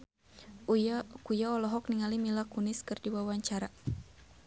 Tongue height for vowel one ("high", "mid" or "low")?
high